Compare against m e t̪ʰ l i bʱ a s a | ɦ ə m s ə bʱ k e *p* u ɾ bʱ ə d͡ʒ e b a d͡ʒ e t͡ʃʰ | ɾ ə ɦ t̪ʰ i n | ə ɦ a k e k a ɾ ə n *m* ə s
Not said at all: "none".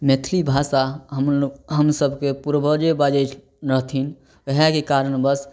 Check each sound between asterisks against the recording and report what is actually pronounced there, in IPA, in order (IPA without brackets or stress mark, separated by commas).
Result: p, b